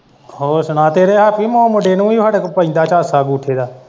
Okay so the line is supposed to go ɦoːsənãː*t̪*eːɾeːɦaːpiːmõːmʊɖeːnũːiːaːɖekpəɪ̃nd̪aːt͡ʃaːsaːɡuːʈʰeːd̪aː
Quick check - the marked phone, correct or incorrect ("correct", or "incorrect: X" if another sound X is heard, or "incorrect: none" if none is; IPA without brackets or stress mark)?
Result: correct